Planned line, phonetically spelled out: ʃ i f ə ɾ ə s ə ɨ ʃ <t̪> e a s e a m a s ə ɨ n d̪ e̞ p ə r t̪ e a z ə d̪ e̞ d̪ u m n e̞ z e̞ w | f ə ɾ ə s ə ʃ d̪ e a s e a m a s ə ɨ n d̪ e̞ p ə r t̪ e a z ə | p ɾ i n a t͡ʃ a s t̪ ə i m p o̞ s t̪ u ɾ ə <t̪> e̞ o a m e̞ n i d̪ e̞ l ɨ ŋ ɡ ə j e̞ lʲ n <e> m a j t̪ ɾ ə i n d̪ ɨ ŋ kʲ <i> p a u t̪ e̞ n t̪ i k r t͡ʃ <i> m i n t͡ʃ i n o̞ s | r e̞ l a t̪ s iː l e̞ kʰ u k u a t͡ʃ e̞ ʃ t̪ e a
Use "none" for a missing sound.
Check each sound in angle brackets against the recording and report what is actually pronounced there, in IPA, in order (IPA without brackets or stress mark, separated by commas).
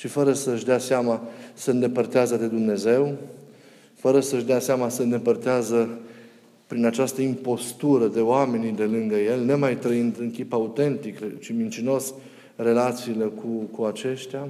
d̪, d̪, e, i, i